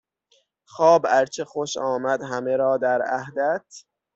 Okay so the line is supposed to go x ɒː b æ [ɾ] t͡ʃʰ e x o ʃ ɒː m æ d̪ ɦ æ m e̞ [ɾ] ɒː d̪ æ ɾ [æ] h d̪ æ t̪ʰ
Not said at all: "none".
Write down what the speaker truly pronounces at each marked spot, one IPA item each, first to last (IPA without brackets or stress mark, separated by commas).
ɾ, ɾ, æ